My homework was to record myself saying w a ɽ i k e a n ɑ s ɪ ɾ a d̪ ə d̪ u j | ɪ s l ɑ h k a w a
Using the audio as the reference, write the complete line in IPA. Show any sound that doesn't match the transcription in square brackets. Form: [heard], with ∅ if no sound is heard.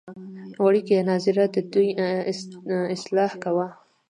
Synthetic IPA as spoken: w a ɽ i k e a n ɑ [z] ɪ ɾ a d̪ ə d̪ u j | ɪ s l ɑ h k a w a